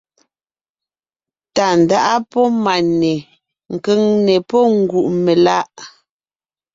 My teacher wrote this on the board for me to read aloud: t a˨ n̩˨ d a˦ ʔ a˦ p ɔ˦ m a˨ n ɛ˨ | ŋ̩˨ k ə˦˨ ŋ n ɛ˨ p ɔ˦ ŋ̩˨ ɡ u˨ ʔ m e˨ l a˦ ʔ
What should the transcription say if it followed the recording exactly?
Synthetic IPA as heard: t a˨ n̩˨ d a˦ ʔ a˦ p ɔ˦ m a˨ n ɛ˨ | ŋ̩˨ k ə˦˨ ŋ n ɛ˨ p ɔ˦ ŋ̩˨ ɡ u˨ ʔ m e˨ l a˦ ʔ